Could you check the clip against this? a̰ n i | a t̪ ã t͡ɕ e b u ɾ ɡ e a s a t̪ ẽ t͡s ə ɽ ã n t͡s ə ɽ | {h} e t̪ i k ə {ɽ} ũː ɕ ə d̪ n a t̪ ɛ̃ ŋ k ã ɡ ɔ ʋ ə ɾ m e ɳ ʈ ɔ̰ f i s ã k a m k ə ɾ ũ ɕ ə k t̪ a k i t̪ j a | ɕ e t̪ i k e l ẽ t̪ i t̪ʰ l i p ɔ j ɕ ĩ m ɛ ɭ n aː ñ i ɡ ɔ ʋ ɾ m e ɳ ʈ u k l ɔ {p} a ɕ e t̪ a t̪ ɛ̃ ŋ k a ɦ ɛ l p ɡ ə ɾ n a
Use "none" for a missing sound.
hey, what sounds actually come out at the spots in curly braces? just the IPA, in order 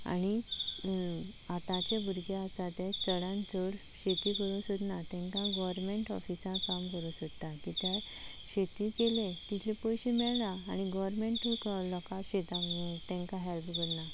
ɕ, ɾ, k

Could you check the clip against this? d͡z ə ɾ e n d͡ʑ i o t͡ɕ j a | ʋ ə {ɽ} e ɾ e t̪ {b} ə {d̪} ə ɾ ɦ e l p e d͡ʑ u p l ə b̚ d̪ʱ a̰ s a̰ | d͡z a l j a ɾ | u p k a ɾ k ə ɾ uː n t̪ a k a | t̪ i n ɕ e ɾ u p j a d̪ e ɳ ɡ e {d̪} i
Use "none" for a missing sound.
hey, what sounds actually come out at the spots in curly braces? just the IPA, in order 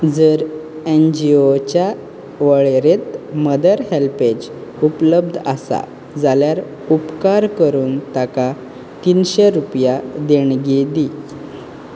ɭ, m, d̪, d̪

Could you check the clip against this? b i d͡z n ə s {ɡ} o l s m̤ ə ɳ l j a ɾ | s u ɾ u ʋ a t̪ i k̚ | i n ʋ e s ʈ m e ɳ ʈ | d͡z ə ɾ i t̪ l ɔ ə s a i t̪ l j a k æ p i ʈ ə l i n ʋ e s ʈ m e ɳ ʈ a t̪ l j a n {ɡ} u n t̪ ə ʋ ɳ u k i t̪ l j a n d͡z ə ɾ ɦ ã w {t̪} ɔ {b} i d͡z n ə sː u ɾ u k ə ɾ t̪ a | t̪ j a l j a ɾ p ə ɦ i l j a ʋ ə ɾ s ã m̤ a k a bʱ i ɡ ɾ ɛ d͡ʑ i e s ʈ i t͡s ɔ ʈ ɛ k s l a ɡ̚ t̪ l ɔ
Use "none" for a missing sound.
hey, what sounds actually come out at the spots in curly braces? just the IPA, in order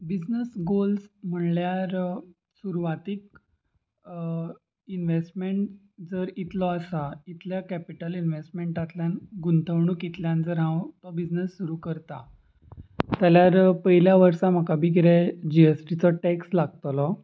ɡ, ɡ, t̪, b

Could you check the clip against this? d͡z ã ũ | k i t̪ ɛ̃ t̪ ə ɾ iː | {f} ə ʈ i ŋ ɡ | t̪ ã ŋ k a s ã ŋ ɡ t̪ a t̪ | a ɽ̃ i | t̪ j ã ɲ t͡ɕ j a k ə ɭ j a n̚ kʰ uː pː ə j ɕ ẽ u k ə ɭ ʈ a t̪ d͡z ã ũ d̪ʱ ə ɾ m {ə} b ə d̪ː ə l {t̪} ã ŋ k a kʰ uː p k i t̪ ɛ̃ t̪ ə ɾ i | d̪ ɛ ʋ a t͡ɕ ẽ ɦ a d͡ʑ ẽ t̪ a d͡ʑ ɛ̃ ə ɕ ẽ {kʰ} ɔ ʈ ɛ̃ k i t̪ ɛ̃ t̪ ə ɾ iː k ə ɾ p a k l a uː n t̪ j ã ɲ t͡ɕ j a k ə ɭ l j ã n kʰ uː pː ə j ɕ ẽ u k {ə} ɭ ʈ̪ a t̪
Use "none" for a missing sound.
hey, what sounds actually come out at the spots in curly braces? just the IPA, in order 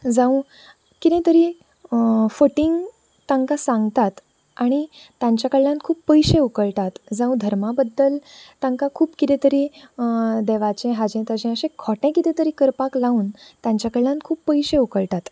f, a, t̪, kʰ, ə

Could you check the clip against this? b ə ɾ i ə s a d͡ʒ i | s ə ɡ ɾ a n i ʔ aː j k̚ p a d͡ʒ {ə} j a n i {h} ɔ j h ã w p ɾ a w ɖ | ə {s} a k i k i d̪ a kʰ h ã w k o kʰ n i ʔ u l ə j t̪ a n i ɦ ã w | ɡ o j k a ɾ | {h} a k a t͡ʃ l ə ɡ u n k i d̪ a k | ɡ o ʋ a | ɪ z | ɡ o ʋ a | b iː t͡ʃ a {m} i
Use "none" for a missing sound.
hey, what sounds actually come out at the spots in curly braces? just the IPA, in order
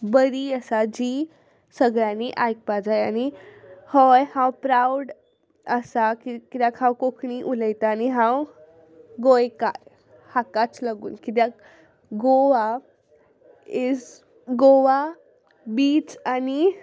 a, h, s, h, n

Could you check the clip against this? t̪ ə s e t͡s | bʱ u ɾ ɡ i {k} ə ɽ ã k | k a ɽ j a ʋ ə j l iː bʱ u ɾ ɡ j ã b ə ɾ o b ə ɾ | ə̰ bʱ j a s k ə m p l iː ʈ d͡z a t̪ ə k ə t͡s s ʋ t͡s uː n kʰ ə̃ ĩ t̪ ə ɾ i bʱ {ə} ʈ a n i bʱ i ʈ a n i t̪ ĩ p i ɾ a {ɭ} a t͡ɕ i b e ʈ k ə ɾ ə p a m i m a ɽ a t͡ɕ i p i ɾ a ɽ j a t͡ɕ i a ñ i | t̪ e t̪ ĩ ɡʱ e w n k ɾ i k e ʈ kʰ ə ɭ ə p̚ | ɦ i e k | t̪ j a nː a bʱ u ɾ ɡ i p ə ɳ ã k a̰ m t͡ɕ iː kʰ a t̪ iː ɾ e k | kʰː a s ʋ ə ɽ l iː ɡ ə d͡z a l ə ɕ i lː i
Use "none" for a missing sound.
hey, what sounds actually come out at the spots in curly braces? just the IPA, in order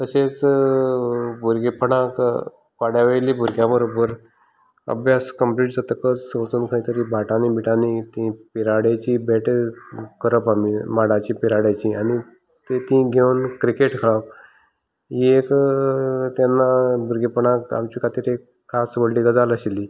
p, a, ɽ

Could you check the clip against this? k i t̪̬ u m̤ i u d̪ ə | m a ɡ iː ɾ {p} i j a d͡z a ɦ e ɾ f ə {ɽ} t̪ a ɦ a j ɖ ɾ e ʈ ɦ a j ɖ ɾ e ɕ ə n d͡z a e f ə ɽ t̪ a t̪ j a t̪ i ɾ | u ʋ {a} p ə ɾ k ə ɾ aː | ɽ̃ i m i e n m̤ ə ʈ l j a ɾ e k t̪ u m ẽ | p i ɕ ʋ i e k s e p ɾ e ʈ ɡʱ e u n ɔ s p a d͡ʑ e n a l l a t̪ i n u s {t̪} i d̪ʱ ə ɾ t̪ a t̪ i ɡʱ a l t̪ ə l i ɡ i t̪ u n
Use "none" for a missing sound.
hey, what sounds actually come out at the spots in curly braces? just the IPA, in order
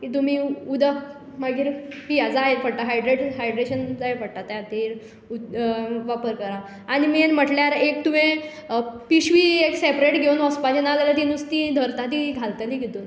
p, ɽ, a, t̪

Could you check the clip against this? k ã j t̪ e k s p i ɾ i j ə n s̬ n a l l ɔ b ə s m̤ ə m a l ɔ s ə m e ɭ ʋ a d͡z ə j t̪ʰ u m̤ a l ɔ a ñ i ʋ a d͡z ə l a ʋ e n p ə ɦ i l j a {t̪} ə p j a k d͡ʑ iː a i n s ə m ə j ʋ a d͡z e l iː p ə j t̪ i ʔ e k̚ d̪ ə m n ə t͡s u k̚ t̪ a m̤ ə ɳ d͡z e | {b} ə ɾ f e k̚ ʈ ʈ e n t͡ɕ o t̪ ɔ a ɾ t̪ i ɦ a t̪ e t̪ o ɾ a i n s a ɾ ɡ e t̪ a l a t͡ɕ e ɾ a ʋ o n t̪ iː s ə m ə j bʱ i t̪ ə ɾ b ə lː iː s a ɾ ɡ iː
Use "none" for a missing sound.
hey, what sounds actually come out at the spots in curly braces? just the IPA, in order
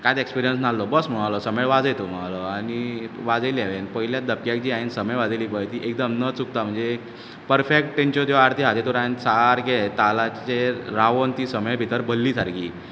d̪, p

